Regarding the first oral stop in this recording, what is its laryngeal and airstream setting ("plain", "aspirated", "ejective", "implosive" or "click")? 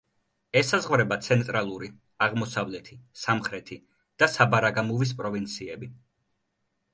plain